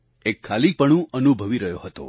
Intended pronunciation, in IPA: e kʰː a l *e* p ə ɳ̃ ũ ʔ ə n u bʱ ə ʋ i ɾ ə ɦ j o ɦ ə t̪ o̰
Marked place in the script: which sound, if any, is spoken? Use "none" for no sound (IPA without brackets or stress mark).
i